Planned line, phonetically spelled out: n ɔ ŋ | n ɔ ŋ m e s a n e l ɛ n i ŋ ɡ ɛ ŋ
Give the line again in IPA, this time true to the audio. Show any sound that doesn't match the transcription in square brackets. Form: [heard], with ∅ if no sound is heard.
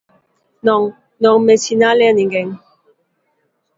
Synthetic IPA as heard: n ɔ ŋ | n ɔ ŋ m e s [i] n [a] l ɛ n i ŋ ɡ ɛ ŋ